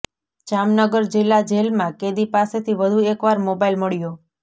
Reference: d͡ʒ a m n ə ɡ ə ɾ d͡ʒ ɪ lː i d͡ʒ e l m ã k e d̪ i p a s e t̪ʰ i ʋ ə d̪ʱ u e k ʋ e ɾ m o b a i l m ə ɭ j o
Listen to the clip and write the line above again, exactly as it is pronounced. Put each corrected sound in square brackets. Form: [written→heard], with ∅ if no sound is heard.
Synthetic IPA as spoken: d͡ʒ a m n ə ɡ ə ɾ d͡ʒ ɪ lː [i→a] d͡ʒ e l m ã k e d̪ i p a s e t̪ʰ i ʋ ə d̪ʱ u e k ʋ [e→a] ɾ m o b a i l m ə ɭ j o

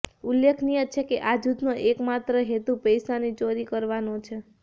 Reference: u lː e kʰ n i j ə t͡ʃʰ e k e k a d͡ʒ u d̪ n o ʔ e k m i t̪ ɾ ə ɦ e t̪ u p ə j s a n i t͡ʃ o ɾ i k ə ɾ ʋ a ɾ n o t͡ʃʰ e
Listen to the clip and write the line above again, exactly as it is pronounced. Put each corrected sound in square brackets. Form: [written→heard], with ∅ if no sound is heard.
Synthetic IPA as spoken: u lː e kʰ n i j ə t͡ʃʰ e k e [k→ʔ] a d͡ʒ u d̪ n o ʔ e k m [i→a] t̪ ɾ ə ɦ e t̪ u p ə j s a n i t͡ʃ o ɾ i k ə ɾ ʋ a [ɾ→∅] n o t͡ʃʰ e

